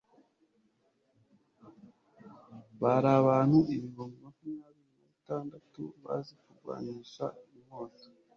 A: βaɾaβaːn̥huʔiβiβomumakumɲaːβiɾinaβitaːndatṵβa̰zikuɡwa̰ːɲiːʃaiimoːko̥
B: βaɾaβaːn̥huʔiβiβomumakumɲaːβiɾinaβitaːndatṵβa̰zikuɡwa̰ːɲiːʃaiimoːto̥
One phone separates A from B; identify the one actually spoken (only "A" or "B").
B